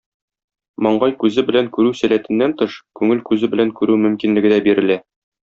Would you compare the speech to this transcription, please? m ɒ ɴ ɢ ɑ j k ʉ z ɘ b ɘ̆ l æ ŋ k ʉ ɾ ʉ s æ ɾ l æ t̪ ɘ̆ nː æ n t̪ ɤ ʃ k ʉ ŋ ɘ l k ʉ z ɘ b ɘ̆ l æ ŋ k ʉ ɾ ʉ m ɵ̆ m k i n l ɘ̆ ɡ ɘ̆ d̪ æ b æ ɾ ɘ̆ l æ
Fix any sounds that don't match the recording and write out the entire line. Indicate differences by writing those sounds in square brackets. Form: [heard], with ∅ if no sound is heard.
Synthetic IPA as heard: m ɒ ɴ ɢ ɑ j k ʉ z ɘ b ɘ̆ l æ ŋ k ʉ ɾ ʉ s æ [∅] l æ t̪ ɘ̆ nː æ n t̪ ɤ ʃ k ʉ ŋ ɘ l k ʉ z ɘ b ɘ̆ l æ ŋ k ʉ ɾ ʉ m ɵ̆ m k i n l ɘ̆ ɡ ɘ̆ d̪ æ b [i] ɾ ɘ̆ l æ